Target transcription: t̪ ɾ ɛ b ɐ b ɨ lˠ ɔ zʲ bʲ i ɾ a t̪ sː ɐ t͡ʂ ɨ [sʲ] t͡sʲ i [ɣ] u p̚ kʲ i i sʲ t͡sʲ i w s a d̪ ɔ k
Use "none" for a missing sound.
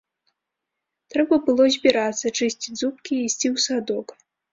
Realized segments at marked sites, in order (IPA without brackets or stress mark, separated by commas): sʲ, z